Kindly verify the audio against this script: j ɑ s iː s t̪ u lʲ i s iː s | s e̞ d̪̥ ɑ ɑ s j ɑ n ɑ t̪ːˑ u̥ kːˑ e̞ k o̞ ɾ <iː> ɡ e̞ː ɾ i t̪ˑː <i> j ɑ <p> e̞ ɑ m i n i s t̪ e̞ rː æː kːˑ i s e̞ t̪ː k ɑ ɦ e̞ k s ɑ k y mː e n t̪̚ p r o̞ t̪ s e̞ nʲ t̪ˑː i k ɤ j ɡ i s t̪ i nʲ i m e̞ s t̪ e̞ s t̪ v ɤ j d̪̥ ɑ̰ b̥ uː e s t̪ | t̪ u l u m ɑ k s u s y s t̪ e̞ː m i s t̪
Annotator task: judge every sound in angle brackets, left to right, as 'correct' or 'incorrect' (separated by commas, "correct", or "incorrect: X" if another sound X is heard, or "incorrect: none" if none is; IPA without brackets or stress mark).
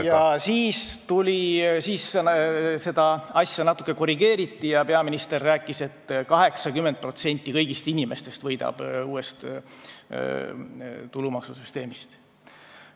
incorrect: i, correct, correct